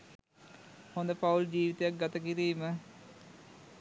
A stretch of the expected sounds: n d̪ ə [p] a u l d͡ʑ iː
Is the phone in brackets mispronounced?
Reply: no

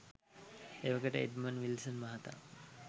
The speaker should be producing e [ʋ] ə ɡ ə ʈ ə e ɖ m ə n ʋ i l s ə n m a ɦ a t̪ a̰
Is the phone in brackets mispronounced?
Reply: no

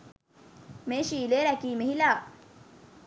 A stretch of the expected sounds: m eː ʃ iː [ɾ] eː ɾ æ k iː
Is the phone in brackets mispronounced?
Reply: yes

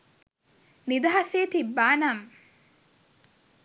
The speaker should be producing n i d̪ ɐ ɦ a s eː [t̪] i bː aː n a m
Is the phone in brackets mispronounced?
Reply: no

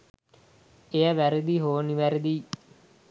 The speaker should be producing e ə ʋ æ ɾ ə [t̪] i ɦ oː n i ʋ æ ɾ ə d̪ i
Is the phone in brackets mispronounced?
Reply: yes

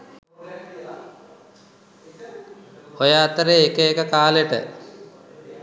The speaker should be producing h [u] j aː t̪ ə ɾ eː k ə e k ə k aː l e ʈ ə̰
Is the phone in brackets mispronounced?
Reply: yes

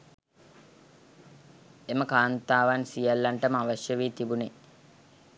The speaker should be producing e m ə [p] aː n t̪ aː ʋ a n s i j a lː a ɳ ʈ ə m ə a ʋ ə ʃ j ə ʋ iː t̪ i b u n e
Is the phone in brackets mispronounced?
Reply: yes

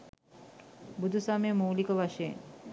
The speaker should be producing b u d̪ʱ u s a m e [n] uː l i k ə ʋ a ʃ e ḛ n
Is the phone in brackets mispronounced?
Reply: yes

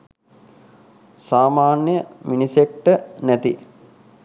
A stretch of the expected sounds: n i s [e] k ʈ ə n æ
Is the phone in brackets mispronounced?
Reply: no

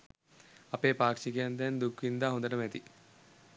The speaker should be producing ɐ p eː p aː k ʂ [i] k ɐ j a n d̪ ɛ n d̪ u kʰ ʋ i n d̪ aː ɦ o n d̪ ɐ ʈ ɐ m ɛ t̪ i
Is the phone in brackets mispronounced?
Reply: no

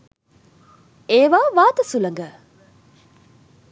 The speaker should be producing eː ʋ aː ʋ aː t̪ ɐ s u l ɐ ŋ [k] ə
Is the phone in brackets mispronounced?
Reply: yes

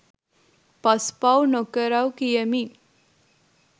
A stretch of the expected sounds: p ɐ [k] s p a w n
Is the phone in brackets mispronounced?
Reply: yes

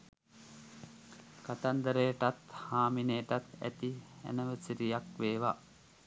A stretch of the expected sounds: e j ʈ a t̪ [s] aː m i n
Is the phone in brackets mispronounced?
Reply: yes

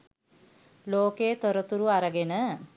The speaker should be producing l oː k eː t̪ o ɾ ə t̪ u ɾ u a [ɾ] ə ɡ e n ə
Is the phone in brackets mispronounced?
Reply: no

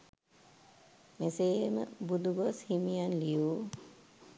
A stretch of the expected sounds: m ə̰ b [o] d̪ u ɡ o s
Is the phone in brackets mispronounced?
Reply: yes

